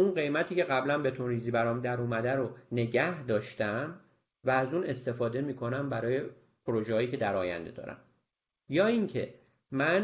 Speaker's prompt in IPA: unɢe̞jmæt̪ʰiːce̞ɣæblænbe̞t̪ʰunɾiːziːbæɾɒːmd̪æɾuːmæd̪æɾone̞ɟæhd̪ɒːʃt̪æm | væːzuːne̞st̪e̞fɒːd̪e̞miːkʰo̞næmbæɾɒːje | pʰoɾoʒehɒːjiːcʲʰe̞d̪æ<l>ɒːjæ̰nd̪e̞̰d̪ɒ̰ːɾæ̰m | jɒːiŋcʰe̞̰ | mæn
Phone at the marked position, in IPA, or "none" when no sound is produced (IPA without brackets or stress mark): ɾ